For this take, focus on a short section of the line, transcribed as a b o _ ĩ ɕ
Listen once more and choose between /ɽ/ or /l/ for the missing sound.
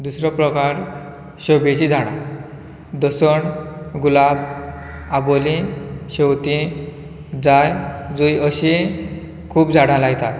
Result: l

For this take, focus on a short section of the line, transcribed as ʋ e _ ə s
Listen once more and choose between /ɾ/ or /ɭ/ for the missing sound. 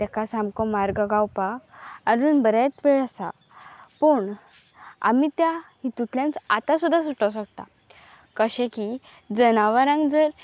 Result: ɭ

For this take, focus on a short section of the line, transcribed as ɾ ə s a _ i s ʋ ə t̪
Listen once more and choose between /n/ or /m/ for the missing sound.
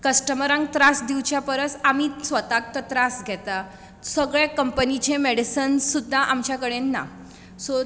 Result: m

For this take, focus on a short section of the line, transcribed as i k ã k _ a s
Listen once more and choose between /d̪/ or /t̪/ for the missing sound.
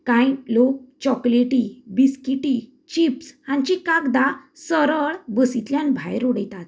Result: d̪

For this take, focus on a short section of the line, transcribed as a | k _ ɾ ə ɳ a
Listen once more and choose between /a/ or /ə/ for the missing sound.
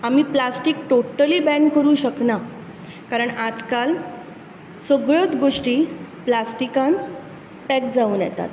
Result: a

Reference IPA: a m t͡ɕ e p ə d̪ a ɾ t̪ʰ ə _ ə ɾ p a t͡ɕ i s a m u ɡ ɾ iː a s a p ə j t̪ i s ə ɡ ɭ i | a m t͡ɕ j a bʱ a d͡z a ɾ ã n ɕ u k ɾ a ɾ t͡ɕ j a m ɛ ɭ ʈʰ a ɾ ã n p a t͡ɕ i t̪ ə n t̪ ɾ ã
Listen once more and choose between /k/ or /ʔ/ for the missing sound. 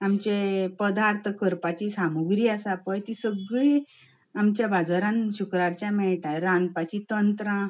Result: k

